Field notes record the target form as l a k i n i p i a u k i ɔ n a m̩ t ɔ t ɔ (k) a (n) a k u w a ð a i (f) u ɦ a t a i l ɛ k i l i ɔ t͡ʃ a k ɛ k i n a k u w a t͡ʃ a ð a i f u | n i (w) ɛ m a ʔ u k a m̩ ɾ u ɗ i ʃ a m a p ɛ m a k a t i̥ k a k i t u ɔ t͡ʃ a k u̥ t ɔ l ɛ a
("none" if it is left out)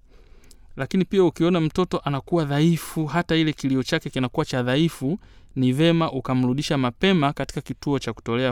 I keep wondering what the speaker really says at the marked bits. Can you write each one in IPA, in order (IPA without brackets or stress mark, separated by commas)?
ʔ, n, f, v